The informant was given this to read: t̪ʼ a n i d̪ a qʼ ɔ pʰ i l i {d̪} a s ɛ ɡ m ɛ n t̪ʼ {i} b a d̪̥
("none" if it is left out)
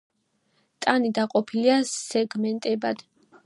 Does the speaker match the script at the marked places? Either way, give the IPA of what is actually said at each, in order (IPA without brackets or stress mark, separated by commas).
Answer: none, ɛ